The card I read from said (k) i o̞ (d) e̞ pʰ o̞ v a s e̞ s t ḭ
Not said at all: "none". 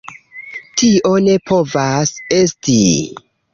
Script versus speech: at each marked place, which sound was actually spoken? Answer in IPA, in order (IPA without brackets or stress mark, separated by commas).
t, n